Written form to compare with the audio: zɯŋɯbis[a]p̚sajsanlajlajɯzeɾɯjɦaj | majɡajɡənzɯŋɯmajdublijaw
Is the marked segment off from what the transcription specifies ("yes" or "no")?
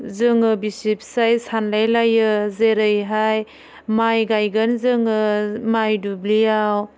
yes